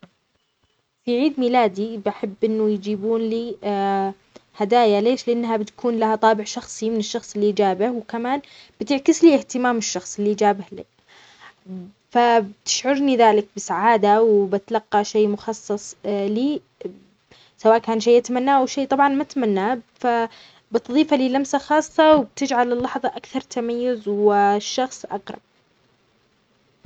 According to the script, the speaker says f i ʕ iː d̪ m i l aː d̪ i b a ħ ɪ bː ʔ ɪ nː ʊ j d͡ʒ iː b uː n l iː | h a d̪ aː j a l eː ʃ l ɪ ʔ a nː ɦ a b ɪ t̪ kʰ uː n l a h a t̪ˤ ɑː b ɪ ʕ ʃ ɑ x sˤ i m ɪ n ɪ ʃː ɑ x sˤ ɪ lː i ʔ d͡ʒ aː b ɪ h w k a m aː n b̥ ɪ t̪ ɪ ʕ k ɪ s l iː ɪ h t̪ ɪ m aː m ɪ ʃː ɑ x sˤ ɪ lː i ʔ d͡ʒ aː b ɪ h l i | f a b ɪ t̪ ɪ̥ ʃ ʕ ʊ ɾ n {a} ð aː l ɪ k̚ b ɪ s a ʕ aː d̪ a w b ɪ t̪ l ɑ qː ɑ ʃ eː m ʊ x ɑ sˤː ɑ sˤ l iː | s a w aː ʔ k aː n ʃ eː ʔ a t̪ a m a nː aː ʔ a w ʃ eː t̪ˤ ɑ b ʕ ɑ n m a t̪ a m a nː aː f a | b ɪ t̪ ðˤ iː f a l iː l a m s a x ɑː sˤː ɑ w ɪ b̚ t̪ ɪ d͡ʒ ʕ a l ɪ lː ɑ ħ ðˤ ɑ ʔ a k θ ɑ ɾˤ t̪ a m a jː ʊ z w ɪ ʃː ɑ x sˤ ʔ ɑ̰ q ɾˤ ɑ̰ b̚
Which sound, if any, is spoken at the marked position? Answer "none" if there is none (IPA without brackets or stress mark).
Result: i